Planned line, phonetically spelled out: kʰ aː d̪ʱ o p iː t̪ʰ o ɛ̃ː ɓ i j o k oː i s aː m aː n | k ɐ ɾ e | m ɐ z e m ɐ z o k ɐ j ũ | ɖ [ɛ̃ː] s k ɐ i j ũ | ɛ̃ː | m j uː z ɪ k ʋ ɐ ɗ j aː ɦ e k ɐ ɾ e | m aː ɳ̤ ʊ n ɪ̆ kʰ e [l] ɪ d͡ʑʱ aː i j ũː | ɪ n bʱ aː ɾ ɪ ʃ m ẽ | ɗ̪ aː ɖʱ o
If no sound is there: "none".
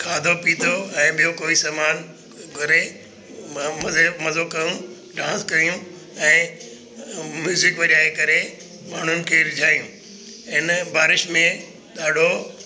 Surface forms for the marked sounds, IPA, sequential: ãː, ɾ

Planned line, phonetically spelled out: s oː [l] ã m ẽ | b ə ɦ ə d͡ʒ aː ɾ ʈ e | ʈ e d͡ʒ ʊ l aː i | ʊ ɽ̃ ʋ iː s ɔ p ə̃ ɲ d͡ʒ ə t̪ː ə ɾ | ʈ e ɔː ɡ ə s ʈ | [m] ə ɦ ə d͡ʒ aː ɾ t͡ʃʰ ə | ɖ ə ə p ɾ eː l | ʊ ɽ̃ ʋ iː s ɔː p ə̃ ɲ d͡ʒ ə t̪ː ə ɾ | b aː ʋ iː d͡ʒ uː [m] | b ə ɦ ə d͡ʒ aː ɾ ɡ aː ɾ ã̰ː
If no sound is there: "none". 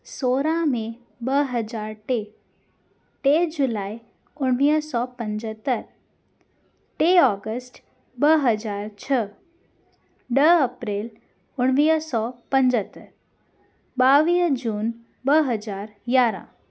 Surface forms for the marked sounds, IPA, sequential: ɾ, b, n

